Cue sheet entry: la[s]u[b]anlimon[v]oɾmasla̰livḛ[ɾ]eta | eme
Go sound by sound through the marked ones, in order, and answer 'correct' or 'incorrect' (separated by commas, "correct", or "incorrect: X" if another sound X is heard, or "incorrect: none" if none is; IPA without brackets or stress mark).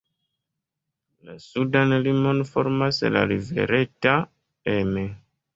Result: correct, incorrect: d, incorrect: f, correct